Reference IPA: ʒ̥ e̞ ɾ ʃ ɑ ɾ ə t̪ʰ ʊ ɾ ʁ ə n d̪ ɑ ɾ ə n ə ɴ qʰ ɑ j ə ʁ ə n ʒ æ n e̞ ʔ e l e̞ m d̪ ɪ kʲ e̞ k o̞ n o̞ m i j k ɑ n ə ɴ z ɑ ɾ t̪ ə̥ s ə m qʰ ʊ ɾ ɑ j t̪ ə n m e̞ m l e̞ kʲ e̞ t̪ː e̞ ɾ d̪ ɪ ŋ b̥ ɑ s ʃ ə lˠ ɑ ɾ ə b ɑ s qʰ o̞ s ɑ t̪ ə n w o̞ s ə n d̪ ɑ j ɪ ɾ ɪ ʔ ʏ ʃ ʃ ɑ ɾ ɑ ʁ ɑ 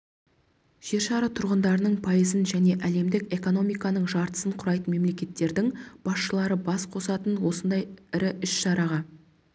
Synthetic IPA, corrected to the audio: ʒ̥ e̞ ɾ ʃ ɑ ɾ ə t̪ʰ ʊ ɾ ʁ ə n d̪ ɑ ɾ ə n ə ɴ pʰ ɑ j ə z ə n ʒ æ n e̞ ʔ æ l e̞ m d̪ ɪ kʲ e̞ k o̞ n o̞ m i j k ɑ n ə ɴ ʒ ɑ ɾ t̪ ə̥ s ə ɴ qʰ ʊ ɾ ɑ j t̪ ə n m e̞ m l e̞ kʲ e̞ t̪ː e̞ ɾ d̪ ɪ ŋ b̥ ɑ s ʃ ə lˠ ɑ ɾ ə b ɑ s qʰ o̞ s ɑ t̪ ə n w o̞ s ə n d̪ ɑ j ɪ ɾ ɪ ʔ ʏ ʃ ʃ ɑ ɾ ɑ ʁ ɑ